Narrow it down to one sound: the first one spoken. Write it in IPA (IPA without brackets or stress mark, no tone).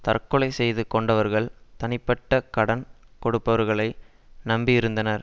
t̪